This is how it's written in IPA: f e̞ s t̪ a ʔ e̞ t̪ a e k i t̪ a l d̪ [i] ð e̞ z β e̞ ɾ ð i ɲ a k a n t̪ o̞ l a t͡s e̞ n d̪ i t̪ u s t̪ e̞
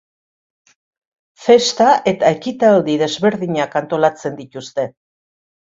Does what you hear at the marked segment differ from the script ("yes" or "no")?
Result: no